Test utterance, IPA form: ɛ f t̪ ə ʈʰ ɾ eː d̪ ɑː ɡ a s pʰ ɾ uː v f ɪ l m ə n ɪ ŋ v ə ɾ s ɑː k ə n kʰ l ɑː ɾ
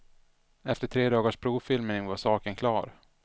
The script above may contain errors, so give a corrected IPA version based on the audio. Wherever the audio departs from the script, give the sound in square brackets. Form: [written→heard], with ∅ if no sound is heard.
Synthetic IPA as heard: ɛ f t̪ ə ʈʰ ɾ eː d̪ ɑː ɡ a [s→ʂ] pʰ ɾ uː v f ɪ l m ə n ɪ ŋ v [ə→a] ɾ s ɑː k ə n kʰ l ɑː ɾ